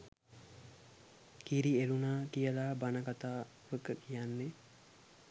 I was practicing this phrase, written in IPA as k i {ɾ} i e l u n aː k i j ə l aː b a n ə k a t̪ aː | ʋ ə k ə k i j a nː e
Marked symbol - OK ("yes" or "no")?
yes